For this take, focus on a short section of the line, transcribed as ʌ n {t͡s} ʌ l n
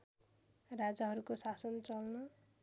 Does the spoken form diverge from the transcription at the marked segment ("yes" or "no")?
no